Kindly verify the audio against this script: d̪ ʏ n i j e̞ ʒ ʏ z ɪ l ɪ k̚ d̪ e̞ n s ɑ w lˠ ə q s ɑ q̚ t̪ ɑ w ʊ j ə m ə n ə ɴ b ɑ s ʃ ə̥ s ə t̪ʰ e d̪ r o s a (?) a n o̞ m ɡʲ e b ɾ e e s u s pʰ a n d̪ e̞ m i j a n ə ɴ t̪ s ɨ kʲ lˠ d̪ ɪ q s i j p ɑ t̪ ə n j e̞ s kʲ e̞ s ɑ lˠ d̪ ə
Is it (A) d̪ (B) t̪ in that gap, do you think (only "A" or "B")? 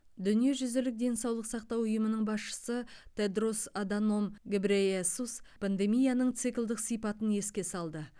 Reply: A